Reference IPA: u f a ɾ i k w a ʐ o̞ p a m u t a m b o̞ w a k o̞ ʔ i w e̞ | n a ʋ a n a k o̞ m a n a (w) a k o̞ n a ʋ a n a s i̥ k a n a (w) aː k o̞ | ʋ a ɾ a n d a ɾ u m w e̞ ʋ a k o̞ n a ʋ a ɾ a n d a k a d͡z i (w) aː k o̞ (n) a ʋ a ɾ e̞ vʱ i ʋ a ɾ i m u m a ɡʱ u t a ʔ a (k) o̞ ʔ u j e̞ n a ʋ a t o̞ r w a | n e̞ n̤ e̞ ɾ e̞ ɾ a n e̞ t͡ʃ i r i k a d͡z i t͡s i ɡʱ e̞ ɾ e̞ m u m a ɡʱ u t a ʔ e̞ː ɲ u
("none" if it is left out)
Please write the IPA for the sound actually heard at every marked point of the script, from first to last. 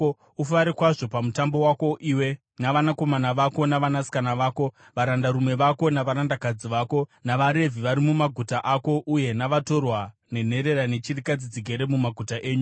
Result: ʋ, ʋ, ʋ, n, k

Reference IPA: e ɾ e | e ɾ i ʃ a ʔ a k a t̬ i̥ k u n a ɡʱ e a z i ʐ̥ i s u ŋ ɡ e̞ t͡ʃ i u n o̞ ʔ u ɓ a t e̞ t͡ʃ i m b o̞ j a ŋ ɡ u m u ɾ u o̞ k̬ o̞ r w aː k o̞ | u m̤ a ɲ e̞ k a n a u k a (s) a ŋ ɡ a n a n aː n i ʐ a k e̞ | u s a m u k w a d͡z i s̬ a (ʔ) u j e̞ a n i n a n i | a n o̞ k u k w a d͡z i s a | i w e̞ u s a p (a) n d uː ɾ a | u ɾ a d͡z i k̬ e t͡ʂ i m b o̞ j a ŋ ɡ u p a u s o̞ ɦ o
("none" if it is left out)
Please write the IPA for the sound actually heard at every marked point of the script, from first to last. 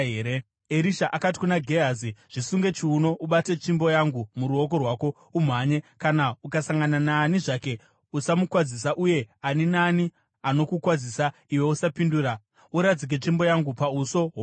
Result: s, ʔ, i

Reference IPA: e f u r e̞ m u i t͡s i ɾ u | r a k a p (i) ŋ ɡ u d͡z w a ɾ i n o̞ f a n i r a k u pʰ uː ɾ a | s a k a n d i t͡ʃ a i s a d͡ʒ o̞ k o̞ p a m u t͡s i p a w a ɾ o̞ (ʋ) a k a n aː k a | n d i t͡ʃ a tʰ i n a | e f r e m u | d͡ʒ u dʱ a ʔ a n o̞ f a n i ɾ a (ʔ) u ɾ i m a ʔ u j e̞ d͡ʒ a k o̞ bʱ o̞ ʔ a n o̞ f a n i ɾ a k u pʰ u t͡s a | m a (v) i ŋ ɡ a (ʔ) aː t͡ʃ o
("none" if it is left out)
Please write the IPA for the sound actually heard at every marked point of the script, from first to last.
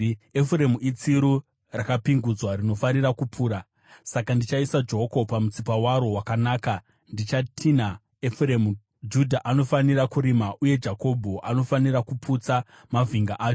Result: i, w, k, v, ʔ

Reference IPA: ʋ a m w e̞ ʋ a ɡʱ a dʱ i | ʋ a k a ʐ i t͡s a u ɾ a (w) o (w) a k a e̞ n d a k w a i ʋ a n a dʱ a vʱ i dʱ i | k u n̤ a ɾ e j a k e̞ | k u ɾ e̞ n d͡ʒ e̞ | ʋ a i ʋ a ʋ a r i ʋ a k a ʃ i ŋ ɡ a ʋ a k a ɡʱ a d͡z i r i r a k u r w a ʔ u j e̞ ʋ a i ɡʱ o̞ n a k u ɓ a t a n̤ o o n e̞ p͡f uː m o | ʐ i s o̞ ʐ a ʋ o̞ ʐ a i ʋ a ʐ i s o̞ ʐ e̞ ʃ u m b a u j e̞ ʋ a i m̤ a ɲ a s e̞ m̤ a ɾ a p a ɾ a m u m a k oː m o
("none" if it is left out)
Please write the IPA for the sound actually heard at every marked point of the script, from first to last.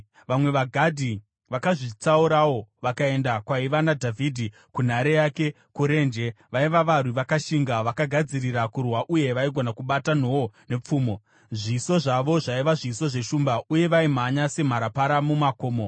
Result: w, ʋ

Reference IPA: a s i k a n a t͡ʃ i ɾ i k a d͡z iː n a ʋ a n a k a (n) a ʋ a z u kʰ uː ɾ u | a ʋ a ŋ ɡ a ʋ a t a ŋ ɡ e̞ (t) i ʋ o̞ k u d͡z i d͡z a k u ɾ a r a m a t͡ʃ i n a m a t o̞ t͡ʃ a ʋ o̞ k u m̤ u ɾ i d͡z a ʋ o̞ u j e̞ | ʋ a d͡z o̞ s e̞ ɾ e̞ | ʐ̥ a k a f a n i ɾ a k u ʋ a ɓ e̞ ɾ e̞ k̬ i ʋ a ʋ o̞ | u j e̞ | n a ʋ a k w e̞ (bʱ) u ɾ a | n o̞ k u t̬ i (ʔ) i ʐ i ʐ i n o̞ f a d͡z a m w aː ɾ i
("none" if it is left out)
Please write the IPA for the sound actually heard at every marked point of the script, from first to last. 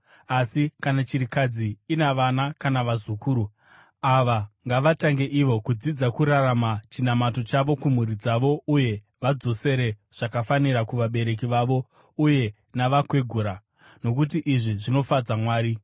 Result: n, ʔ, ɡʱ, ʔ

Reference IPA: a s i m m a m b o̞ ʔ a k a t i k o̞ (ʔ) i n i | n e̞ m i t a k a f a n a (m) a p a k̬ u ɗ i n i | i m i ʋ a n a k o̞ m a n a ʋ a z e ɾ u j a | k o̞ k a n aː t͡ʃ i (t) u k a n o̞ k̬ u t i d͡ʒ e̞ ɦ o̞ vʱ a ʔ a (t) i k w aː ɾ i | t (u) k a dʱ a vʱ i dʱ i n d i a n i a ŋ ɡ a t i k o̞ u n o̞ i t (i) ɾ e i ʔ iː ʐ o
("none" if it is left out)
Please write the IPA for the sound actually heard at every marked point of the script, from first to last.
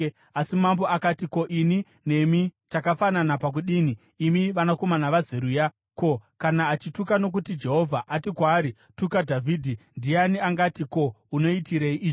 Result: ʔ, n, t, t, u, i

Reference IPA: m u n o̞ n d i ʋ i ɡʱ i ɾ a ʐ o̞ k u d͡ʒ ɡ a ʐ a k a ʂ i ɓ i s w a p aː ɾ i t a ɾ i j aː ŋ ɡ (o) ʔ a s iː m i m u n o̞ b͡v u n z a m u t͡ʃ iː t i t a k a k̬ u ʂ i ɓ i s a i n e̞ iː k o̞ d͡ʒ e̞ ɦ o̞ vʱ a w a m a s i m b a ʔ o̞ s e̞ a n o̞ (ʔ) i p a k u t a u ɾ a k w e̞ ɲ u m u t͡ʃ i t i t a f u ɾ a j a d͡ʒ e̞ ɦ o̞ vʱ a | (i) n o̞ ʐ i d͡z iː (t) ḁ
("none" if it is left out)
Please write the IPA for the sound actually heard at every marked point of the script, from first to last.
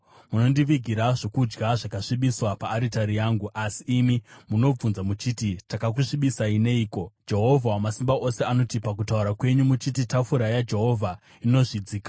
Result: u, t, i, k

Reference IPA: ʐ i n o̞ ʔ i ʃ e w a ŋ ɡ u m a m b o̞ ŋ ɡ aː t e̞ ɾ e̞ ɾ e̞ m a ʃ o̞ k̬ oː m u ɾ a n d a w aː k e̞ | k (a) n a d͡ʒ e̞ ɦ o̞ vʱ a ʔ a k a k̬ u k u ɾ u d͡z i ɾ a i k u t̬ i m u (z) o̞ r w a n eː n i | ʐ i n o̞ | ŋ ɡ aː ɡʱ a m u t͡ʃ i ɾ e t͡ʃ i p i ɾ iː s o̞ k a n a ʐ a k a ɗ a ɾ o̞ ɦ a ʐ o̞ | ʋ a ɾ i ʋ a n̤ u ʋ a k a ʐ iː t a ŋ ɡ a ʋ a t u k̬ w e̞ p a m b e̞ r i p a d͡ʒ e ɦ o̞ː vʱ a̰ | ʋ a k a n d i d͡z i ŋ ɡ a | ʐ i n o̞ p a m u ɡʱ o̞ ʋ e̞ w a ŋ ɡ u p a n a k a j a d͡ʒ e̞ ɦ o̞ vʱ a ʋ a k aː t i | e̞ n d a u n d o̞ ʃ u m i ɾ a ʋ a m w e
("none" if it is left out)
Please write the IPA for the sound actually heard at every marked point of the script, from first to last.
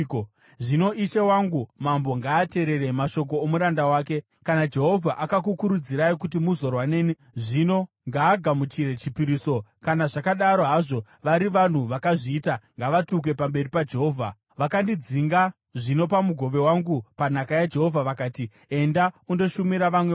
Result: a, z

